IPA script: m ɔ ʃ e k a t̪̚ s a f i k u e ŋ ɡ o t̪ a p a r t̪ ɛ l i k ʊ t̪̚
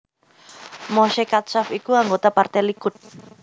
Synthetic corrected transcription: m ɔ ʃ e k a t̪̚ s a f i k u a ŋ ɡ o t̪ a p a r t̪ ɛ l i k ʊ t̪̚